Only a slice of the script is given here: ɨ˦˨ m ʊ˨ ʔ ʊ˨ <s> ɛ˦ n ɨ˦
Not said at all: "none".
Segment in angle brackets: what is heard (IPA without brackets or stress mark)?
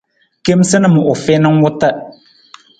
f